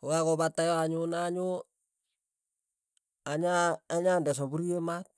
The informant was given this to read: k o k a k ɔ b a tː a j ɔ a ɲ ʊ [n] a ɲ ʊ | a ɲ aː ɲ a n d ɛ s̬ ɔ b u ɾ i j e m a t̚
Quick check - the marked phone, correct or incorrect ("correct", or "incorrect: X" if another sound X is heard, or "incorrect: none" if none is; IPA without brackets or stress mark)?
correct